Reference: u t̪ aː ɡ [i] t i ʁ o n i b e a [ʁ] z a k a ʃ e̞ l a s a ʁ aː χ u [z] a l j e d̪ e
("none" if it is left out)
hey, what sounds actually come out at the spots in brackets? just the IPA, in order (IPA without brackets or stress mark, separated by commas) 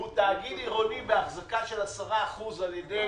i, χ, z